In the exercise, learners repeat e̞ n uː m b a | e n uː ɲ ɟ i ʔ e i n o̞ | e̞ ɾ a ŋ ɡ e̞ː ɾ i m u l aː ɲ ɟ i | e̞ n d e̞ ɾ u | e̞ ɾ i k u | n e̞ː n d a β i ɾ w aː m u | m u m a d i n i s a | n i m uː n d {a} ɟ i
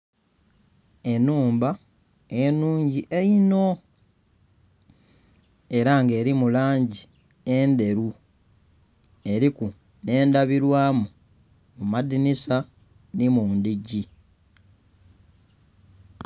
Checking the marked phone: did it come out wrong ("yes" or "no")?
yes